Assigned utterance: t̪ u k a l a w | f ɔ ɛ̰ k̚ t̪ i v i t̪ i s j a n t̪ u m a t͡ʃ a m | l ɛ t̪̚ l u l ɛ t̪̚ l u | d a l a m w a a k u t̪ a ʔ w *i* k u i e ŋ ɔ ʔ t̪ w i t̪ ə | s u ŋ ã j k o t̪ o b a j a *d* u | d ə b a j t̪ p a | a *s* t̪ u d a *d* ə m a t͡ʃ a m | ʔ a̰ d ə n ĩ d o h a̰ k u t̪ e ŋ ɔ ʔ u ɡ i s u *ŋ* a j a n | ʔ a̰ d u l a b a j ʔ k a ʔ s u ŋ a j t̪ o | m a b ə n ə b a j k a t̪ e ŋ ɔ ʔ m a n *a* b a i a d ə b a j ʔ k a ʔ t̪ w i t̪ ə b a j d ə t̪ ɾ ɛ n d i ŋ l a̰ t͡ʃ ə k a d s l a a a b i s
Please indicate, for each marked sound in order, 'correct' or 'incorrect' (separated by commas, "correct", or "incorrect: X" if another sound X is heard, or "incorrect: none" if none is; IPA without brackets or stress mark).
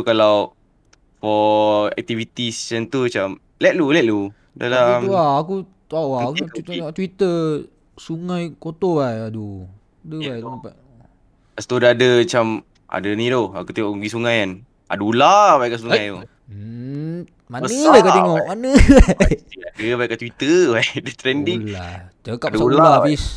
incorrect: a, correct, correct, correct, correct, incorrect: ə